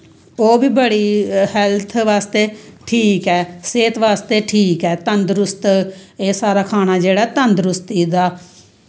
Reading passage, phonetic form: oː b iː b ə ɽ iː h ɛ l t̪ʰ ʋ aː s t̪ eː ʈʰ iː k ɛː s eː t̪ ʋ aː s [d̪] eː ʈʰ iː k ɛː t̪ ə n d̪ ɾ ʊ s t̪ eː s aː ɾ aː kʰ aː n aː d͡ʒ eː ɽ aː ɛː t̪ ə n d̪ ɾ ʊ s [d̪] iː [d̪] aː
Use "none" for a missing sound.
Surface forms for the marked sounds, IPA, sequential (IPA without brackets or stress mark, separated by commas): t̪, t̪, d̪